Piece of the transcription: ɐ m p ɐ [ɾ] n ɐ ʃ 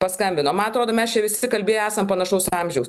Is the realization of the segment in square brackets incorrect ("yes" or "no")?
yes